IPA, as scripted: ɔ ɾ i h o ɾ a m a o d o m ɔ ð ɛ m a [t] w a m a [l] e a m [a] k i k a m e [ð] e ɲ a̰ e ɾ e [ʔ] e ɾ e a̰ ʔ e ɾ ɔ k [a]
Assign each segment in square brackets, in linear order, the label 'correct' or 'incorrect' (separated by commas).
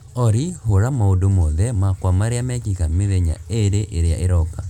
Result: incorrect, incorrect, incorrect, correct, correct, correct